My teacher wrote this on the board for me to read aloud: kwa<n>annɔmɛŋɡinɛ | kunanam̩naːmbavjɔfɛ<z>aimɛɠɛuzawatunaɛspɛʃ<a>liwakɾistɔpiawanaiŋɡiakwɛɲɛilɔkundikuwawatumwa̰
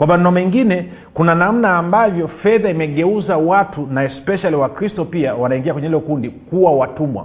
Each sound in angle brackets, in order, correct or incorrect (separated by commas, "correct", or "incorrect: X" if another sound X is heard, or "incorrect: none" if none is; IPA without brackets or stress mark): incorrect: m, incorrect: ð, correct